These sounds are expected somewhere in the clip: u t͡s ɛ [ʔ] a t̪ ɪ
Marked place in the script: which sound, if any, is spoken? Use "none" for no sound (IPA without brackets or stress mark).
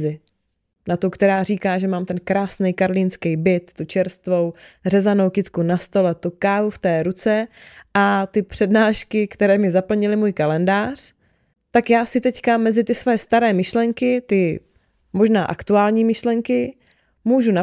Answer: ʔ